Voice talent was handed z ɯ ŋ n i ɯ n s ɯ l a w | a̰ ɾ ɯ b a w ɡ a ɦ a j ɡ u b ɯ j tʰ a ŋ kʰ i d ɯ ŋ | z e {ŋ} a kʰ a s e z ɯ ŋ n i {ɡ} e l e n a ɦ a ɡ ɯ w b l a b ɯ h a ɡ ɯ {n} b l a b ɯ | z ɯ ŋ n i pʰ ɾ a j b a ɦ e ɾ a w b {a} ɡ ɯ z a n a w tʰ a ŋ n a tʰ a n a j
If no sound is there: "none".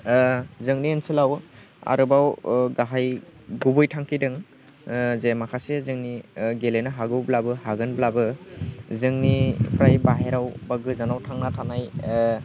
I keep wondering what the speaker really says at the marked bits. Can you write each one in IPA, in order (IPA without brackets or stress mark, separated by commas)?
m, ɡ, n, a